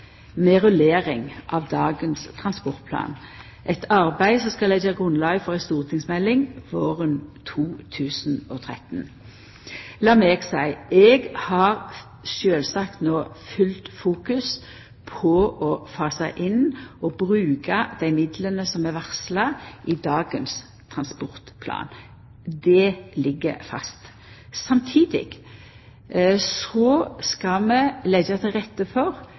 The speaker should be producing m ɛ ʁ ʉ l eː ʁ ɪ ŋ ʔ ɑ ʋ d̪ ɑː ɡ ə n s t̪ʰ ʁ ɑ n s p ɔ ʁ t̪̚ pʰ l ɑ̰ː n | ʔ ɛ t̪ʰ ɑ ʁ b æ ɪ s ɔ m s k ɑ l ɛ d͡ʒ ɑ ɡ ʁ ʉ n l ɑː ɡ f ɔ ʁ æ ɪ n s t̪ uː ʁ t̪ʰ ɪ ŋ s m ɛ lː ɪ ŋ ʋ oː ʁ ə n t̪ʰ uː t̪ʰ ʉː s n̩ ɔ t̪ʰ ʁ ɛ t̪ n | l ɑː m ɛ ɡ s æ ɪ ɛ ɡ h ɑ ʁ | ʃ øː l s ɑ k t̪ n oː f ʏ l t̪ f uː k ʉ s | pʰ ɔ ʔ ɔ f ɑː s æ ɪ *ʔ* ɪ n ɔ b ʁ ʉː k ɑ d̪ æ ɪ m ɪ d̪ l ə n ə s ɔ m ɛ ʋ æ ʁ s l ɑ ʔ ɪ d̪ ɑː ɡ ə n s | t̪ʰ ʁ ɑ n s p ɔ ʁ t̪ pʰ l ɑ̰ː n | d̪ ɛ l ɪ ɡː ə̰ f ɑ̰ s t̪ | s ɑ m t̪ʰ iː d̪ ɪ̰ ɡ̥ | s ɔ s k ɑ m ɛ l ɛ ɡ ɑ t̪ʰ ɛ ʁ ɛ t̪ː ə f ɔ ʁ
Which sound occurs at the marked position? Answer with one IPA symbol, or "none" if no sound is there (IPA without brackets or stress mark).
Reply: ʔ